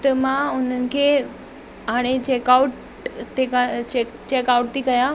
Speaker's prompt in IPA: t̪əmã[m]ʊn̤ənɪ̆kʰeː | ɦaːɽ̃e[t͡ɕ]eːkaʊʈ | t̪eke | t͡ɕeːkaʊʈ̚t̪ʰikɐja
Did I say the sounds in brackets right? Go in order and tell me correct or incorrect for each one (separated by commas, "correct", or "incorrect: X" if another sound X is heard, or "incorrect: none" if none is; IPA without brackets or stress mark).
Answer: incorrect: none, correct